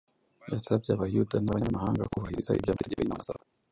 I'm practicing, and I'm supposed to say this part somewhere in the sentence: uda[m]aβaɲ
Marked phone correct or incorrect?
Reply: incorrect